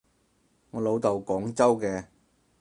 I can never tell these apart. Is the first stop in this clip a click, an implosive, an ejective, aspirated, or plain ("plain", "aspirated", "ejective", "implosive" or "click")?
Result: plain